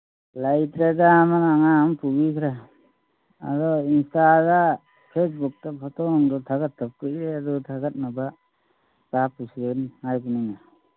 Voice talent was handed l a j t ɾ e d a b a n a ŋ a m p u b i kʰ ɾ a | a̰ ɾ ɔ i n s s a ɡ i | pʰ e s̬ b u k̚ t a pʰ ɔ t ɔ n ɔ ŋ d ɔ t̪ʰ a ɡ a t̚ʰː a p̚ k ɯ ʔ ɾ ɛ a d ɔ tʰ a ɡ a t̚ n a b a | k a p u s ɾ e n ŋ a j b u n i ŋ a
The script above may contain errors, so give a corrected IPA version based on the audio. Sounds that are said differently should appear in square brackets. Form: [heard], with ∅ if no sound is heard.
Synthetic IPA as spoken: l a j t ɾ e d a [m] a n a ŋ a m p u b i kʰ ɾ a | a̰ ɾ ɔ i n s [t] a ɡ [a] | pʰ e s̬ b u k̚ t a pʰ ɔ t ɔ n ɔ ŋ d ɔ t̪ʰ a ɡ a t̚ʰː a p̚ k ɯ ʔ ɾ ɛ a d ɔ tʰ a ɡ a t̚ n a b a | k a p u s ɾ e n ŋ a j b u n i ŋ a